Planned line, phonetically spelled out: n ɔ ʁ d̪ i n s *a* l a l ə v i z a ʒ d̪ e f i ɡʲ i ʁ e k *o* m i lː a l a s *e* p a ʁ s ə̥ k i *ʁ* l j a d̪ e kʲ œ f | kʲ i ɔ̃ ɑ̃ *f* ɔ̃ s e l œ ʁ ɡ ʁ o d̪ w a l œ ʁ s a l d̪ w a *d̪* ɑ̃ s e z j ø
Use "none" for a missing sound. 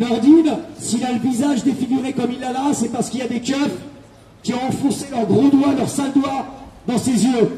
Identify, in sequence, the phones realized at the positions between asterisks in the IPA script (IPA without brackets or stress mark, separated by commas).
i, ɔ, ɛ, none, f, d̪